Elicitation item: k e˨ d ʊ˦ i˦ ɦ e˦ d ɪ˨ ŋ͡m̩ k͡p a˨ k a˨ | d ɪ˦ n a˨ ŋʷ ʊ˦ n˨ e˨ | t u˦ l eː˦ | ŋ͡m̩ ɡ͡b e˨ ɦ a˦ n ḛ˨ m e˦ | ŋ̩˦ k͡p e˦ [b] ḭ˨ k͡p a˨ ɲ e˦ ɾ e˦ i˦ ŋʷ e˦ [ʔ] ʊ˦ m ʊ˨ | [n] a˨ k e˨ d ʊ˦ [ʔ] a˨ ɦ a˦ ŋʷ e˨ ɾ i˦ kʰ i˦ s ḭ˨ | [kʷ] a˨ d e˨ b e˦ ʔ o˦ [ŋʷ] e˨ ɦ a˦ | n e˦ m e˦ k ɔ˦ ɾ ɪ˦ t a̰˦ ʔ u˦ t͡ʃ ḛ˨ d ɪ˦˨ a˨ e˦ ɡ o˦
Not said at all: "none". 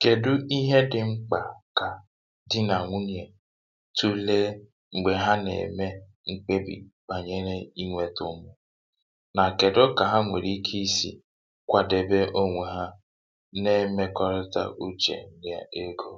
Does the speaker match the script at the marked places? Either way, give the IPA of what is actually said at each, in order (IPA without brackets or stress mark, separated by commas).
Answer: b, t, n, k, kʷ, ŋʷ